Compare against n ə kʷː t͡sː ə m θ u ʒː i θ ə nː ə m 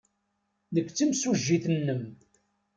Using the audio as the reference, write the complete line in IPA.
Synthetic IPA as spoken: n ə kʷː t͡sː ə m s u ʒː i θ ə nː ə m